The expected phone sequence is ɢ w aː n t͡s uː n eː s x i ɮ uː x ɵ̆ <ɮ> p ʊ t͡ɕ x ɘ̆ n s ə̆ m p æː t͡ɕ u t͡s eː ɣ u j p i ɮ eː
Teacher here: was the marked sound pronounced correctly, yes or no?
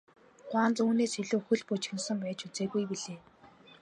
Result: yes